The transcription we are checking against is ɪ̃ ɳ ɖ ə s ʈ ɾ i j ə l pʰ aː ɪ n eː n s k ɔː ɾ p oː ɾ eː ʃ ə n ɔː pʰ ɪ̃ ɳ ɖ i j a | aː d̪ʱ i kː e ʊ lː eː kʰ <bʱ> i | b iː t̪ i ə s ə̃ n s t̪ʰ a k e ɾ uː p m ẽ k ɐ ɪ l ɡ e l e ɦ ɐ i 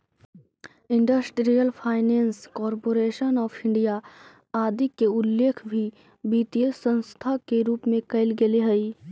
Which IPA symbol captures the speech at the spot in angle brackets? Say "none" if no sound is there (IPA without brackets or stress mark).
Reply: bʱ